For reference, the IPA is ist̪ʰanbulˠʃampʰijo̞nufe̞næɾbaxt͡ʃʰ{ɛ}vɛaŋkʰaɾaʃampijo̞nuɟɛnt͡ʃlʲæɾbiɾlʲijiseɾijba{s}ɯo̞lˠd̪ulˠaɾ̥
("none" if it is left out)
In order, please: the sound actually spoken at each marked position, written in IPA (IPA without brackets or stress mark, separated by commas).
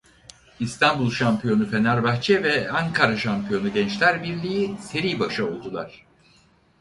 ɛ, ʃ